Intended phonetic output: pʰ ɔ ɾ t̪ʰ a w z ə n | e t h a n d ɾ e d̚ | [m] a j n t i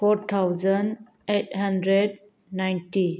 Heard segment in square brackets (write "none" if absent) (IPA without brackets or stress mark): n